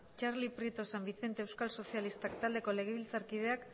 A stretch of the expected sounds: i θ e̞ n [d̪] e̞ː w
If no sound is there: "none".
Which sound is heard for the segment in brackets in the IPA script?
t̪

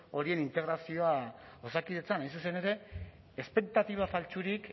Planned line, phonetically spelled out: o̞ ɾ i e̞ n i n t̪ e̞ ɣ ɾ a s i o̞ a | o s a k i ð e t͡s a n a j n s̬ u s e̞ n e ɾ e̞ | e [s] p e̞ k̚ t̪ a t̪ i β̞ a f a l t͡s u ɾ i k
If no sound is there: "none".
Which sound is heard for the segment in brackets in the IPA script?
s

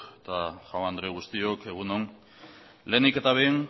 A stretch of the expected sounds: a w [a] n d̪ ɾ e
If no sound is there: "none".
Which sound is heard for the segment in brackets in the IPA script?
a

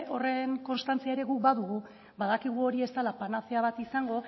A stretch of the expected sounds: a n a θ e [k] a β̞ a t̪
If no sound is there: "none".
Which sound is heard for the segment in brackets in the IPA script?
none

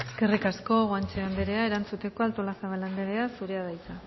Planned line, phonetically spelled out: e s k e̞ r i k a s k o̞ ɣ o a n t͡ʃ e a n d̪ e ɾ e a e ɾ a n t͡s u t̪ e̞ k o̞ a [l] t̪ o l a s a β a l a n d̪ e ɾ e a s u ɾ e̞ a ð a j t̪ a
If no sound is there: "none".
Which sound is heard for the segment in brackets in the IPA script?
l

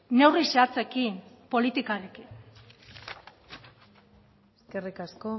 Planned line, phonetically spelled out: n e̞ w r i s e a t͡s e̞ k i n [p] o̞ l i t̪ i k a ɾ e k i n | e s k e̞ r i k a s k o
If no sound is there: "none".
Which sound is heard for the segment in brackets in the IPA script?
p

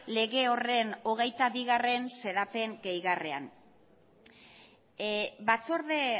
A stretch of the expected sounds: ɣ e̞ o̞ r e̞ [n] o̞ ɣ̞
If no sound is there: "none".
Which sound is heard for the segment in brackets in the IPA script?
n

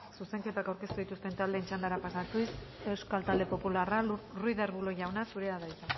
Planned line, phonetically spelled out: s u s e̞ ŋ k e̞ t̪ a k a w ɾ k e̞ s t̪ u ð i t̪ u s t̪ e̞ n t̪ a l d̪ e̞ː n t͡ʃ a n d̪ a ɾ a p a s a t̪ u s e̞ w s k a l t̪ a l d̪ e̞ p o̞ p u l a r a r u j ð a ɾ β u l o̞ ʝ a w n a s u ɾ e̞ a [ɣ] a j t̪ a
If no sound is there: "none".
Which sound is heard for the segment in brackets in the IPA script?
ð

